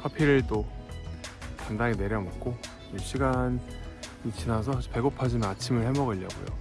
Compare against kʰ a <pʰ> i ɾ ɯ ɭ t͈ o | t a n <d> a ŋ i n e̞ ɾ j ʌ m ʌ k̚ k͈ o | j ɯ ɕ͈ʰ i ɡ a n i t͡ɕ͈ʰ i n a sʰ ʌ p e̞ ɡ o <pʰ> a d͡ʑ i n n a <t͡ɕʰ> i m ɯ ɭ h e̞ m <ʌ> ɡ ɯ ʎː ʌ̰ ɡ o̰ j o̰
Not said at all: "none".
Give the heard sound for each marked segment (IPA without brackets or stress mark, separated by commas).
pʰ, d, pʰ, t͡ɕʰ, ʌ